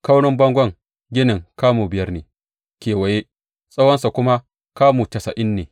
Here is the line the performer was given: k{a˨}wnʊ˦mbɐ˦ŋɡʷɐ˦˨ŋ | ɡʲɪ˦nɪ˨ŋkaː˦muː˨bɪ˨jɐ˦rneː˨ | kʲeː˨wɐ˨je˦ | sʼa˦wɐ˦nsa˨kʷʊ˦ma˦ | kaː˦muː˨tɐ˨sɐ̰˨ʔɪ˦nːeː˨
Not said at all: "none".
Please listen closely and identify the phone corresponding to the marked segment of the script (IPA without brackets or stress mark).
a˦